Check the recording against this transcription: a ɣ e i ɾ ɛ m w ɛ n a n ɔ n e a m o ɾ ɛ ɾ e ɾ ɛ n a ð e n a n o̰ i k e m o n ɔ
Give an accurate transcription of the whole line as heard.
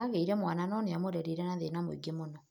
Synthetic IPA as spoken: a ɣ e i ɾ ɛ m w a n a n ɔ n e a m o ɾ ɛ ɾ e ɾ ɛ n a ð e n a m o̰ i ɡ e m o n ɔ